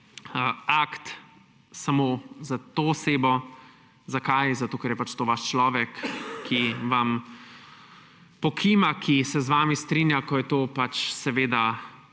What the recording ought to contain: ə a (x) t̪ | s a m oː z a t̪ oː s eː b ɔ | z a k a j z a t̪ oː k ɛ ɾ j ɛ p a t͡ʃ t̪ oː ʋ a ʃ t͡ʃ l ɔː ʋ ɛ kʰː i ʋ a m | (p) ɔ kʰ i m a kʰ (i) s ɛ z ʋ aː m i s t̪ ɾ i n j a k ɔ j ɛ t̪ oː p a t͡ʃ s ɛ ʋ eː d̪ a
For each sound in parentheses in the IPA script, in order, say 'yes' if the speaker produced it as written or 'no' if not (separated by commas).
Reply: no, yes, yes